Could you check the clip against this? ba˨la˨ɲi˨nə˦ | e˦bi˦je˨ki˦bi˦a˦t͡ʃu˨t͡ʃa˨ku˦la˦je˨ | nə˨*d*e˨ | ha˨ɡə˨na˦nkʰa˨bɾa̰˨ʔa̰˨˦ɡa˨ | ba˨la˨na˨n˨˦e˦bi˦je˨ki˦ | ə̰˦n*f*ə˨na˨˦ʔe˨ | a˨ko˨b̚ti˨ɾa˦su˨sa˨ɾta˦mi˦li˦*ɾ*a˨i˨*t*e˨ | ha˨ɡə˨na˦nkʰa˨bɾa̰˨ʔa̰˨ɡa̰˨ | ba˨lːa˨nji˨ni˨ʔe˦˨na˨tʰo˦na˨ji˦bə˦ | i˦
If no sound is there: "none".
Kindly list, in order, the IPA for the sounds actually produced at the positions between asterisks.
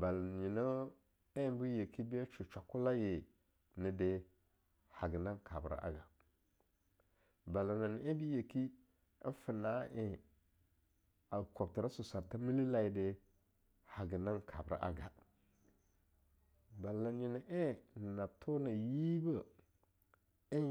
d, f, l, d

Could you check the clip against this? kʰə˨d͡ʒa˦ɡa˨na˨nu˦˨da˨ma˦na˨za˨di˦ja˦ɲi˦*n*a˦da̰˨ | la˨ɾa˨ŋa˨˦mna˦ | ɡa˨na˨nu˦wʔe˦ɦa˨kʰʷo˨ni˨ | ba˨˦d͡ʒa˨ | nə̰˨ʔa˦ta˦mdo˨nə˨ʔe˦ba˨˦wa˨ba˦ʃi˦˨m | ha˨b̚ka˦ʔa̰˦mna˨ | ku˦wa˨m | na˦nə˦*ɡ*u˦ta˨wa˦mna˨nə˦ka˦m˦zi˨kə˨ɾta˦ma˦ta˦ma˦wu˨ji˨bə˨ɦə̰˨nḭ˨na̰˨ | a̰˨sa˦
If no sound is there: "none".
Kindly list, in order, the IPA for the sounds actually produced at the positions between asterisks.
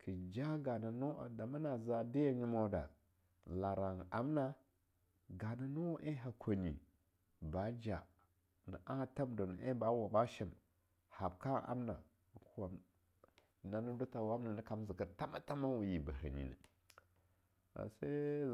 m, d

